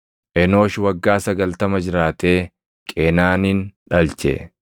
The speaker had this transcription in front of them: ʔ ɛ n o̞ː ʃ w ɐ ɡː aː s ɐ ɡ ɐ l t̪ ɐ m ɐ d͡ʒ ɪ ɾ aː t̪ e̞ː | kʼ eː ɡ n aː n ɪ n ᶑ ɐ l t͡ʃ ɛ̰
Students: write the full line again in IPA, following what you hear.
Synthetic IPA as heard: ʔ ɛ n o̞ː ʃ w ɐ ɡː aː s ɐ ɡ ɐ l t̪ ɐ m ɐ d͡ʒ ɪ ɾ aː t̪ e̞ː | kʼ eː n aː n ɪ n ᶑ ɐ l t͡ʃ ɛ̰